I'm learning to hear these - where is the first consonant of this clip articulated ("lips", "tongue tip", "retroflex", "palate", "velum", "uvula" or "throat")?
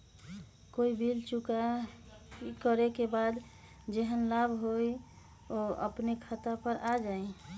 velum